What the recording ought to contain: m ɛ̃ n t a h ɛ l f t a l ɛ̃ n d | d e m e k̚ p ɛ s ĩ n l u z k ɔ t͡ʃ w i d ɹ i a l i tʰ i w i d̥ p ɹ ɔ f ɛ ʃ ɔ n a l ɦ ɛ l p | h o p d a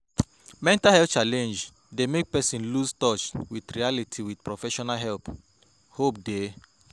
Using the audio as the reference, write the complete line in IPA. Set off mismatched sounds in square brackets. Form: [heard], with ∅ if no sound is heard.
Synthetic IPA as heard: m ɛ̃ n t a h ɛ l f [t͡ʃ] a l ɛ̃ n [d͡ʒ] | d e m e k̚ p ɛ s ĩ n l u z [t] ɔ t͡ʃ w i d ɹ i a l i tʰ i w i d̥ p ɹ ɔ f ɛ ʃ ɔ n a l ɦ ɛ l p | h o p d [e]